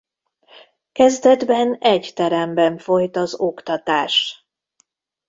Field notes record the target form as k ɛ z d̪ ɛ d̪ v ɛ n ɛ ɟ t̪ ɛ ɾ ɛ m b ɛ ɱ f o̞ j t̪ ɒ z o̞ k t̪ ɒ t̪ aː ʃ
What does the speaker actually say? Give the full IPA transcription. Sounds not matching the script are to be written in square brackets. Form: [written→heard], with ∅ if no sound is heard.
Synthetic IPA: k ɛ z d̪ ɛ d̪ [v→b] ɛ n ɛ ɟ t̪ ɛ ɾ ɛ m b ɛ ɱ f o̞ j t̪ ɒ z o̞ k t̪ ɒ t̪ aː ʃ